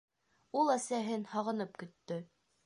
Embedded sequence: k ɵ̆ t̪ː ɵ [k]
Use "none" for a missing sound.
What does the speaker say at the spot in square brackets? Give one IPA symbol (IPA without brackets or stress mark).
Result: none